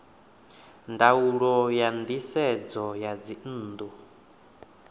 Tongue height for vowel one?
low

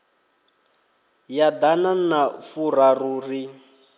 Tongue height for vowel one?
low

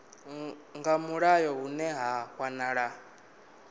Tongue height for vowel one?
low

